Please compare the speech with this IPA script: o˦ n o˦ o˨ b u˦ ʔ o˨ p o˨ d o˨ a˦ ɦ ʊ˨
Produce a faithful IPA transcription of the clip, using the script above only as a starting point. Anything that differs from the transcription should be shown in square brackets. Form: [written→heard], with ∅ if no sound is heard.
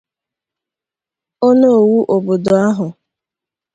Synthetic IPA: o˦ n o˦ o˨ [b→w] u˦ ʔ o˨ [p→b] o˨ d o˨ a˦ ɦ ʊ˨